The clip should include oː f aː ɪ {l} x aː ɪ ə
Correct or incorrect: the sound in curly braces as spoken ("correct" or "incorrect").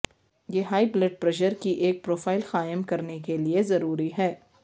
correct